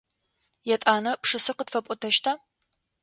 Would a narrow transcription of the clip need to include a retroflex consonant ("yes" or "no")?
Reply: yes